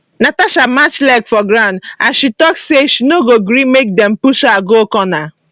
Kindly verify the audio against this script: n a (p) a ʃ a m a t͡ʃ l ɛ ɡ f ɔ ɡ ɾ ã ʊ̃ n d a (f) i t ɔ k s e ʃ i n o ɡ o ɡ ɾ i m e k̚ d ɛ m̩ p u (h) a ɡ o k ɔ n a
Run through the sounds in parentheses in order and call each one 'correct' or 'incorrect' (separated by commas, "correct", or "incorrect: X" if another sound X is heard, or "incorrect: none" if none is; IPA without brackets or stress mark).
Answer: incorrect: t, incorrect: ʃ, incorrect: ʃ